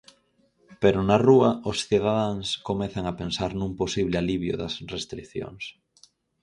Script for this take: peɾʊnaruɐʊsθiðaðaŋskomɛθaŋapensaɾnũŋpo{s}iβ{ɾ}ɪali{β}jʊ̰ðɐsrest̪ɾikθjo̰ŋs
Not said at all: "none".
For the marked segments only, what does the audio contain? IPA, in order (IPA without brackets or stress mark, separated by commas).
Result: s, l, β